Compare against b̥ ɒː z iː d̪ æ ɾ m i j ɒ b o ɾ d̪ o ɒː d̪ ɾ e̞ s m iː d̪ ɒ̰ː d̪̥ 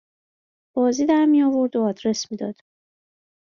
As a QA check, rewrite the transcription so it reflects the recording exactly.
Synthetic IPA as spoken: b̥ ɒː z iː d̪ æ ɾ m i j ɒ v o ɾ d̪ o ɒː d̪ ɾ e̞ s m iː d̪ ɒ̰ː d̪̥